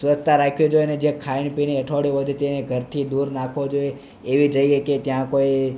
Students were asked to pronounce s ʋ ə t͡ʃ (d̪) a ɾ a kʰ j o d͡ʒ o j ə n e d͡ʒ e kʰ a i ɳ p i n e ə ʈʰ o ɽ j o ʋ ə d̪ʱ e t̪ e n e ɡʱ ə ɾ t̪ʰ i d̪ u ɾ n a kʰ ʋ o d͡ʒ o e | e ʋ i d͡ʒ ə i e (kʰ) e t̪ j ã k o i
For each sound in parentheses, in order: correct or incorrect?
incorrect, incorrect

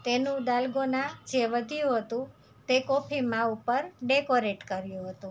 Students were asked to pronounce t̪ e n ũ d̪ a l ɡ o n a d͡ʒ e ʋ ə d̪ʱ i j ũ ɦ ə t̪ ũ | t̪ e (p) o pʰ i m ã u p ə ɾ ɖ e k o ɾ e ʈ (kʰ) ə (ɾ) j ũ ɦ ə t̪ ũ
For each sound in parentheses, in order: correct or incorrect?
incorrect, incorrect, correct

